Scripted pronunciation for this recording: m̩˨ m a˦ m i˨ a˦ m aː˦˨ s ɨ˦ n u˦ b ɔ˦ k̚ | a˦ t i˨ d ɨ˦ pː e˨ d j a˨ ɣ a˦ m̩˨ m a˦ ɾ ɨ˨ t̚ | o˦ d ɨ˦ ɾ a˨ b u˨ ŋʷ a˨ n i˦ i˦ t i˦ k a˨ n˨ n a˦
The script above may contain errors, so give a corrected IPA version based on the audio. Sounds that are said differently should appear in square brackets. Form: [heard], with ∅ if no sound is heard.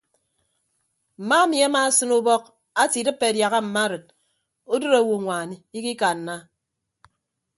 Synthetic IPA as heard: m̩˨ m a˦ m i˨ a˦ m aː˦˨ s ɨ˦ n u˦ b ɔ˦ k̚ | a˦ t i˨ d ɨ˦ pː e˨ d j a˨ ɣ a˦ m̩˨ m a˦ ɾ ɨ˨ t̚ | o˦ d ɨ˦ ɾ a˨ [w] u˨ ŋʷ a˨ n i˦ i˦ [k] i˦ k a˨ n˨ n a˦

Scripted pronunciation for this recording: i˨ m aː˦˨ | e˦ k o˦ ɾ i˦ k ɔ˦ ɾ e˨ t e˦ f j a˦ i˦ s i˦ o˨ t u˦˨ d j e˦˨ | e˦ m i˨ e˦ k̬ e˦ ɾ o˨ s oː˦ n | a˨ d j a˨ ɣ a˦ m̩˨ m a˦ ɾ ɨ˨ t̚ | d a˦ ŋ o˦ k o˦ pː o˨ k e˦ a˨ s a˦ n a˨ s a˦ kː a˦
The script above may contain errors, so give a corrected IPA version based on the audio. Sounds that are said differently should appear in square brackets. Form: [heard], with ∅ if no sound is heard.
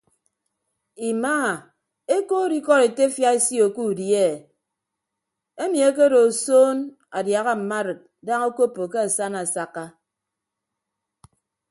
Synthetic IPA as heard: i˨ m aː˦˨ | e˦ k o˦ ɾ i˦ k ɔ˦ ɾ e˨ t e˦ f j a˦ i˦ s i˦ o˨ [k] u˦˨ d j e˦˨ | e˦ m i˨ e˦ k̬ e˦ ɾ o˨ s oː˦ n | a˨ d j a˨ ɣ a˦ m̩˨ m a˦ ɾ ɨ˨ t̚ | d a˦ ŋ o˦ k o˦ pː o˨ k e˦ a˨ s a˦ n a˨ s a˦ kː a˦

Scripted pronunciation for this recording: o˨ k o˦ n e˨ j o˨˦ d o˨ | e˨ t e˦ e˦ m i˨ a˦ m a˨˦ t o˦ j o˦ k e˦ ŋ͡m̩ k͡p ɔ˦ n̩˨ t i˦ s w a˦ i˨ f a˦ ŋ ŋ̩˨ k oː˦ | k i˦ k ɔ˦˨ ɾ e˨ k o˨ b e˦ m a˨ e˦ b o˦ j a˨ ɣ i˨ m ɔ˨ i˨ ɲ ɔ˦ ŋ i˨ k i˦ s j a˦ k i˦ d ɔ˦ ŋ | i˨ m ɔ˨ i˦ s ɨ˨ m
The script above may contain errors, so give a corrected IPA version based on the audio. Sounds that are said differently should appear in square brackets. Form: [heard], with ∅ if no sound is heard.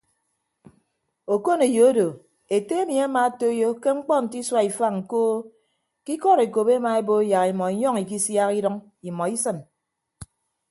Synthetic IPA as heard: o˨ k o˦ n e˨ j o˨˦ d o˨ | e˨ t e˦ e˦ m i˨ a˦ m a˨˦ t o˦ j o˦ k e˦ ŋ͡m̩ k͡p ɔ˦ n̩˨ t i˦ s w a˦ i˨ f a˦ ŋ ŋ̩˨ k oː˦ | k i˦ k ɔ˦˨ ɾ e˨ k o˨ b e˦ m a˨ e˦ b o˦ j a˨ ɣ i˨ m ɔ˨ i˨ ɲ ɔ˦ ŋ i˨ k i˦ s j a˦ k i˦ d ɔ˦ ŋ | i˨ m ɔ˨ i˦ s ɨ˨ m

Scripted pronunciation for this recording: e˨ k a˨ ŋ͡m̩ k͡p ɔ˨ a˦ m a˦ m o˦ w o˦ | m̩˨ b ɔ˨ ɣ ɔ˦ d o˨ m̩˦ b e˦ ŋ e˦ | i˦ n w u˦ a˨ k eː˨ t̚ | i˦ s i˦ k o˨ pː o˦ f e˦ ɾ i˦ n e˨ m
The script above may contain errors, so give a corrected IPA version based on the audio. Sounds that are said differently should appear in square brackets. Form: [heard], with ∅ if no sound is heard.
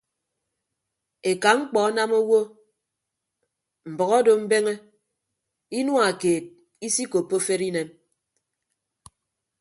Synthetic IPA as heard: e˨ k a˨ ŋ͡m̩ k͡p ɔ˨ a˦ [n] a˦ m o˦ w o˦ | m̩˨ b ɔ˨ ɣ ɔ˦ d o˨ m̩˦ b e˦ ŋ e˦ | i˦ n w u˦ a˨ k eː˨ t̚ | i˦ s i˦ k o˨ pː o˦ f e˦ ɾ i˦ n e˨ m

